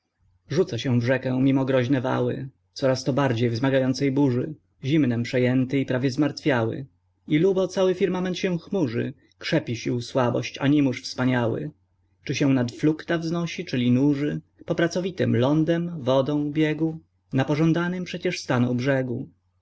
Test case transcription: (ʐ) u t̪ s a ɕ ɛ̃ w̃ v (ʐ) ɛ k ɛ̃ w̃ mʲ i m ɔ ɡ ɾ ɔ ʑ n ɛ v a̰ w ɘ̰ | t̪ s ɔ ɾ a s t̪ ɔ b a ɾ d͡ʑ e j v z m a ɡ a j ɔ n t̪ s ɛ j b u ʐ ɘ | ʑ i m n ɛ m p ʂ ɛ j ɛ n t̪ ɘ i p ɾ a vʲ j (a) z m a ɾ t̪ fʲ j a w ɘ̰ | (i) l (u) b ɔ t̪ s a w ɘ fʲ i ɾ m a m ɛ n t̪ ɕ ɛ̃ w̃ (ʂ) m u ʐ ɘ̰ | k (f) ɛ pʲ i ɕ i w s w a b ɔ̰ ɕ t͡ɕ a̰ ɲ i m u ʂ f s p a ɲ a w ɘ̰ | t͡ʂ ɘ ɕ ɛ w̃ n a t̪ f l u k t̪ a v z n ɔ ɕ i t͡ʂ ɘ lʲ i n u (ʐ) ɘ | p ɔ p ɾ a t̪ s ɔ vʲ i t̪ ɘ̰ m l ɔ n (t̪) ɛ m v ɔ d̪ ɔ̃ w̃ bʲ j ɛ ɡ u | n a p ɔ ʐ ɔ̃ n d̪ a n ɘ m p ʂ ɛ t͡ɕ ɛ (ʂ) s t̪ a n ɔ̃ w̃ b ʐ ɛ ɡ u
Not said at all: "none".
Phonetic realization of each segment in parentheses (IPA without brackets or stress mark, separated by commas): ʐ, ʐ, ɛ, i, u, x, ʂ, ʐ, d̪, ʂ